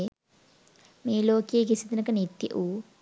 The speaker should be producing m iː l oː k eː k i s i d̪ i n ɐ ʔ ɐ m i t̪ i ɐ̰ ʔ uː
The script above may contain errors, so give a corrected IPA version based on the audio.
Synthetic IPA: m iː l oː k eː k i s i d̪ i n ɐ k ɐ n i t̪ j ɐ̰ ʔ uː